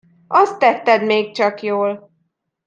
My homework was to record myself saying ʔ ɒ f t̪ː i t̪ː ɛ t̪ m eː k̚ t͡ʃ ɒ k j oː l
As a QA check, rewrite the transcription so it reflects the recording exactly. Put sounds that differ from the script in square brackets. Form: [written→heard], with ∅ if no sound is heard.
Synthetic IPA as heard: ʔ ɒ [f→s] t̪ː [i→ɛ] t̪ː ɛ [t̪→d̪] m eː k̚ t͡ʃ ɒ k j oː l